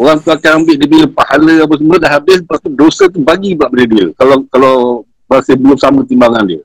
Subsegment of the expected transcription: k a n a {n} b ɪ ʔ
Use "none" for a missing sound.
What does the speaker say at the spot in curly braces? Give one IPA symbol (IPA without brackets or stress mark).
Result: m